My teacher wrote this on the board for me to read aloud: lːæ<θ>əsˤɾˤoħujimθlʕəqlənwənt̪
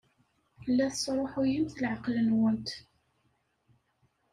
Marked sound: correct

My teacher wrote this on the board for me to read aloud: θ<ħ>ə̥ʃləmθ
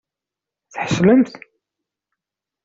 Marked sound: correct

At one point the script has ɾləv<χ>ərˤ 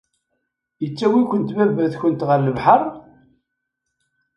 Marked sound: incorrect: ħ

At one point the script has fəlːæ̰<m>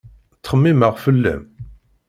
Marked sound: correct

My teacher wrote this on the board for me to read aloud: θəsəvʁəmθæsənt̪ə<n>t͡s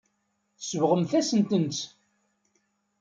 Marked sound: correct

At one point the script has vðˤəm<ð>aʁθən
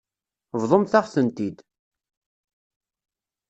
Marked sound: incorrect: θ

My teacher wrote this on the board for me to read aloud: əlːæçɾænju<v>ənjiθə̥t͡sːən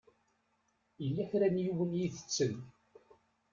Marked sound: incorrect: w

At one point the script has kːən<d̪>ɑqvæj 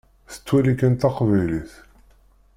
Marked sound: incorrect: t̪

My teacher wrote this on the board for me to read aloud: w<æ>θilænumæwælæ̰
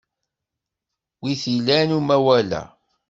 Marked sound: incorrect: i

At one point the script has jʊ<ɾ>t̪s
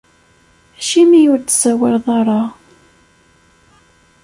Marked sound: correct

